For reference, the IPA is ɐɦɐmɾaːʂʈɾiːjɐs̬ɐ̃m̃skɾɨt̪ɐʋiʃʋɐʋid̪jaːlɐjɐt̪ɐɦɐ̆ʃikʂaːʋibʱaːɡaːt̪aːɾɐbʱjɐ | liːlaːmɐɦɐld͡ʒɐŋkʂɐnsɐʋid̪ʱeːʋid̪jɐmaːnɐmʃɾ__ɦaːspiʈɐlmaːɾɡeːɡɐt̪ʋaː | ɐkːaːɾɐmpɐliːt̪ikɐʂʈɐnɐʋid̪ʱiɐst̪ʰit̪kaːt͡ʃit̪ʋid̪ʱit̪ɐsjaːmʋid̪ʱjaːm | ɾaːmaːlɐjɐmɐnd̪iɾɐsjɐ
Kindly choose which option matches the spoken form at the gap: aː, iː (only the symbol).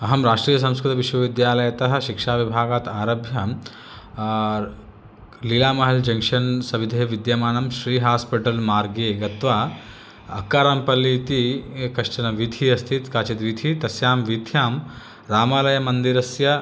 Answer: iː